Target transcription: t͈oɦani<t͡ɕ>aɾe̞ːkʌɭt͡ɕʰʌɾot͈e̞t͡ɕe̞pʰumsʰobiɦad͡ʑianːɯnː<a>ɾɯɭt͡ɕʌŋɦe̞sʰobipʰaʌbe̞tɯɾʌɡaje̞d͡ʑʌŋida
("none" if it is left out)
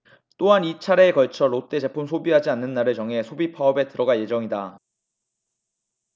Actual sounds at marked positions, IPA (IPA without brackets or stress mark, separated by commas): t͡ɕʰ, a